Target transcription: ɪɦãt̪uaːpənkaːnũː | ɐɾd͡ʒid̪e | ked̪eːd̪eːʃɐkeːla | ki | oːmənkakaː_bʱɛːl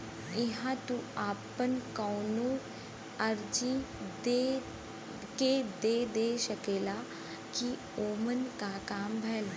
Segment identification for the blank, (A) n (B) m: B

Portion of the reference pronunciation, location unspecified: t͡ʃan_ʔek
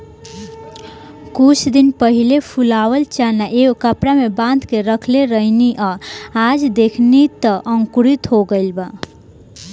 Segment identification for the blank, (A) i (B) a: B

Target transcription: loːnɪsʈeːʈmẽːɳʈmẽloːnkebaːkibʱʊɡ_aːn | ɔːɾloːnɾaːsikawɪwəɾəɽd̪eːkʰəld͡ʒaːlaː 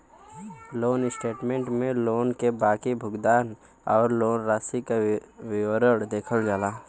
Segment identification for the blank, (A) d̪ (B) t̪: A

